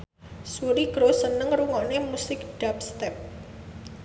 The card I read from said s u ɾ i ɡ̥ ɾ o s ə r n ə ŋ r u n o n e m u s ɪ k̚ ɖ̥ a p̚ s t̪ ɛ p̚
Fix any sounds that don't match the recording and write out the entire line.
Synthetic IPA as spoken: s u ɾ i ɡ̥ ɾ o s ə n ə ŋ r u ŋ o n e m u s ɪ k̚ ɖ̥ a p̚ s t̪ ɛ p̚